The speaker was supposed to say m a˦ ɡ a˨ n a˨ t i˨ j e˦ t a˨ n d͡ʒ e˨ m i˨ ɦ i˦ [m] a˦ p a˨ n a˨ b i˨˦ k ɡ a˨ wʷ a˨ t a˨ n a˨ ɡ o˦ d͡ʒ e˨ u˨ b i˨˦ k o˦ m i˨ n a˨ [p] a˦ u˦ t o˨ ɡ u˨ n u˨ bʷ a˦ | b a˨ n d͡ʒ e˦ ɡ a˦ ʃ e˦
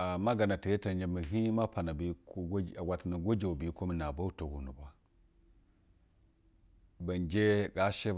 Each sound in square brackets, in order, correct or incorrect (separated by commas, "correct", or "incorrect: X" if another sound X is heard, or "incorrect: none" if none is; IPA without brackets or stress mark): correct, incorrect: b